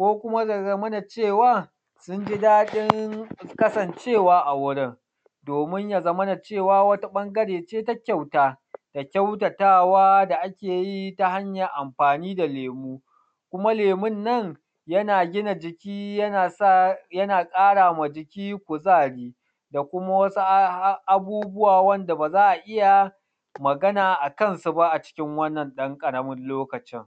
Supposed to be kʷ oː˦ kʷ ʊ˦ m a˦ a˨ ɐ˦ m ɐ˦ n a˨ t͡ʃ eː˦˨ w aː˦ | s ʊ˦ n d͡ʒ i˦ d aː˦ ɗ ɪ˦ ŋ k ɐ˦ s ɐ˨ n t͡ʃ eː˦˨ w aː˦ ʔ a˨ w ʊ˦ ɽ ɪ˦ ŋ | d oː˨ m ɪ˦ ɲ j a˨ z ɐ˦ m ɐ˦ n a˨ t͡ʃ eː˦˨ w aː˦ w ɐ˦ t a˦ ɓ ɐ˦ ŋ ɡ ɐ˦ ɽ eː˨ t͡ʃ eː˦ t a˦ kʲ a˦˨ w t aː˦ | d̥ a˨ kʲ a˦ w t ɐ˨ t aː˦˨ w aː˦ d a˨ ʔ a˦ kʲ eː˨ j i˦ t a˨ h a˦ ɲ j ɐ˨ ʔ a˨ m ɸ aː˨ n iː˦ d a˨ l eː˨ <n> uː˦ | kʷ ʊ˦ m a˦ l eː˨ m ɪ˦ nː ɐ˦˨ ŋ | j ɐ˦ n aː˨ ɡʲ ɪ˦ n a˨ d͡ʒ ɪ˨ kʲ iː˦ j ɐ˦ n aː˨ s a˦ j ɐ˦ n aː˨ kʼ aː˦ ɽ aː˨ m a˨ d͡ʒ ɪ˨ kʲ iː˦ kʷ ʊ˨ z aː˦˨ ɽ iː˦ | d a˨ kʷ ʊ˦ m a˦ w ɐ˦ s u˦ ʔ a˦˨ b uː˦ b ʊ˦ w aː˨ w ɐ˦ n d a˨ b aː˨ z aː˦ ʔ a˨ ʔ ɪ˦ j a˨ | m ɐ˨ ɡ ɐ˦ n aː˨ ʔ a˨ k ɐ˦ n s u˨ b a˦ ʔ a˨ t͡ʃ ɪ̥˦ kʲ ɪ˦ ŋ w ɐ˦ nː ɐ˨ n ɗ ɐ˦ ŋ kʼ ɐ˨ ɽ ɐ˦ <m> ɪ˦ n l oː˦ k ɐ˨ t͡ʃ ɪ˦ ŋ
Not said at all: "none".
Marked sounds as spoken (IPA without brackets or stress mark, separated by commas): m, m